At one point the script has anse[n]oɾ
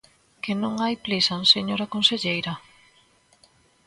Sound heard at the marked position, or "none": ɲ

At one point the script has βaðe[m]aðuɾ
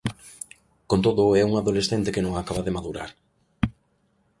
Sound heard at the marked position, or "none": m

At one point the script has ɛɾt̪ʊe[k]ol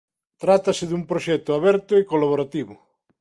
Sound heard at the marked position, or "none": k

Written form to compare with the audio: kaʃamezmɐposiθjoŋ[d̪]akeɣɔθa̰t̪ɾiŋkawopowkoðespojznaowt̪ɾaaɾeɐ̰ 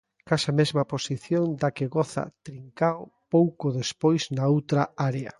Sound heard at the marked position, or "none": d̪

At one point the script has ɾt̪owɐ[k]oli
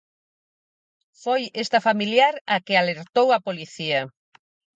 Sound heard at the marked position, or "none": p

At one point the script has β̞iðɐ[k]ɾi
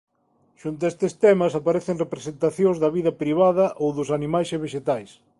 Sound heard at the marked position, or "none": p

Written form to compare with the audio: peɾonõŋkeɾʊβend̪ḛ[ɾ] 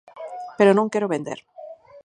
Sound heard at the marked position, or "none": ɾ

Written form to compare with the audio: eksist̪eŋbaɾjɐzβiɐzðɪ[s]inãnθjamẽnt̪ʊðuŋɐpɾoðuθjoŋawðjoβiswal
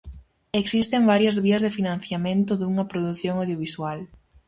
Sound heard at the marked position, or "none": f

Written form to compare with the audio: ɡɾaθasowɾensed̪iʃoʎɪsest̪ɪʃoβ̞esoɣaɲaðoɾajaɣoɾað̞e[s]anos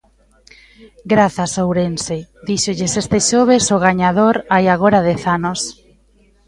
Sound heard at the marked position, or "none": θ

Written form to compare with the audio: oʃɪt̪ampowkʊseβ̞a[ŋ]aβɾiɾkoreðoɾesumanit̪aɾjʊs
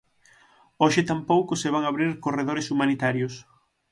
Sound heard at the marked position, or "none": ŋ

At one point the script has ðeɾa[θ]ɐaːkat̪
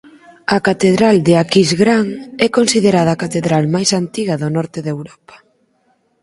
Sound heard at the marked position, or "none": ð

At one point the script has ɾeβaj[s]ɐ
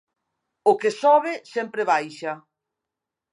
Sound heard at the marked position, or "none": ʃ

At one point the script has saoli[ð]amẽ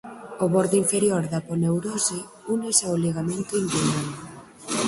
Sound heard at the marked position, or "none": ɣ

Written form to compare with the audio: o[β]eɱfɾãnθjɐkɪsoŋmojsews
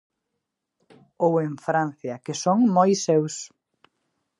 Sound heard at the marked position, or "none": w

